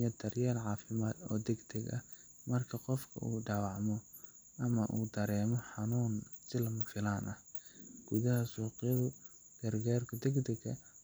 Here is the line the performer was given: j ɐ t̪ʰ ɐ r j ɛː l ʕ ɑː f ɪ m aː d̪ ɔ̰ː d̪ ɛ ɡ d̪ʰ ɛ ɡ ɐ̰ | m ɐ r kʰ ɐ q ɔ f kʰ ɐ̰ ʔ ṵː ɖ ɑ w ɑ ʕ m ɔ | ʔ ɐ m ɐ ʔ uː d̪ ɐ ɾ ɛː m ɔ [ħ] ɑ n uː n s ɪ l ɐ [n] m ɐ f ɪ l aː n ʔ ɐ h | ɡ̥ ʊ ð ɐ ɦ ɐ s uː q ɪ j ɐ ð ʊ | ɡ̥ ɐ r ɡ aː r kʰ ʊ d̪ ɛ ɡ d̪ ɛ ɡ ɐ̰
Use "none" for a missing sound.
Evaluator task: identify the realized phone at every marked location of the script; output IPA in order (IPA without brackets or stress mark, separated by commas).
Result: ħ, none